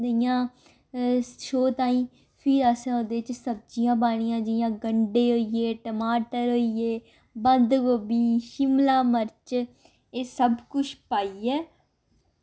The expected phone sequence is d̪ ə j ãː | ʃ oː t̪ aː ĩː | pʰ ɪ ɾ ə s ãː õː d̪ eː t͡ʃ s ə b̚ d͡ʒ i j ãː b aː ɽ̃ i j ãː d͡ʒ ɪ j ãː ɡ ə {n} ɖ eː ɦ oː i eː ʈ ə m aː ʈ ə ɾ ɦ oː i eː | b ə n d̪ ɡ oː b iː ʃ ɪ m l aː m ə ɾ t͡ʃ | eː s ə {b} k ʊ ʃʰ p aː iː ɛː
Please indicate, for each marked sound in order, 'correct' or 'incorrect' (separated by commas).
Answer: incorrect, correct